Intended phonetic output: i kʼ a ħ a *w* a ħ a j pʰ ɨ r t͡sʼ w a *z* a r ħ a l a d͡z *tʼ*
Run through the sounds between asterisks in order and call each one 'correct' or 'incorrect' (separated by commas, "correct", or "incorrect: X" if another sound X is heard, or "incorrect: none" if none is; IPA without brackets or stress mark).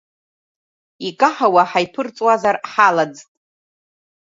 correct, correct, correct